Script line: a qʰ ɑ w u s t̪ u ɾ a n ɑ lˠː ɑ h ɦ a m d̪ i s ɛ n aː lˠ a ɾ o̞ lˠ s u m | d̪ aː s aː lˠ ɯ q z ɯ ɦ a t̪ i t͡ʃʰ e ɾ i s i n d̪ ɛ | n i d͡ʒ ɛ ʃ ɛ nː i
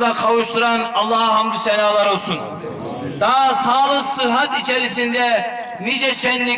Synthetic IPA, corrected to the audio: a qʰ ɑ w u ʃ t̪ u ɾ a n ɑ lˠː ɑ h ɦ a m d̪ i s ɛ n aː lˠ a ɾ o̞ lˠ s u n | d̪ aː s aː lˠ ɯ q s ɯ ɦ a t̪ i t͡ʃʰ e ɾ i s i n d̪ ɛ | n i d͡ʒ ɛ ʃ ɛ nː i